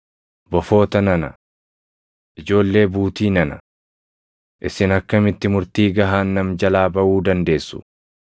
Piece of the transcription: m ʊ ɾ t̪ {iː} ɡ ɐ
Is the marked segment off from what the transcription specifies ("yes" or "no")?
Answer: no